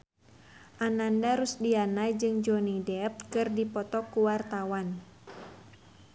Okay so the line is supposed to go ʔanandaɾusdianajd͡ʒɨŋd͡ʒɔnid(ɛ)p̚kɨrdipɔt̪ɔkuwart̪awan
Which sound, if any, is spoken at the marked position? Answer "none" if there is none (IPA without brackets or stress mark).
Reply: ɛ